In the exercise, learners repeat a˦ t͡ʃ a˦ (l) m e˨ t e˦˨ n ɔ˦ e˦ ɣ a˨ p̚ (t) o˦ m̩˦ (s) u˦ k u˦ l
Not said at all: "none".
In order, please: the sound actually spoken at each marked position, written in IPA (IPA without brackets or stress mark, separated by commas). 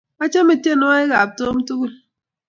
none, t, t